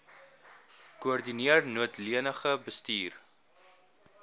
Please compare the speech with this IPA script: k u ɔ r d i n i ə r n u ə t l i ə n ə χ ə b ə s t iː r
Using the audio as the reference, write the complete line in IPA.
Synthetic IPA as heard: k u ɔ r d i n i ə r n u ə t l i ə n ə χ ə b ə s t iː r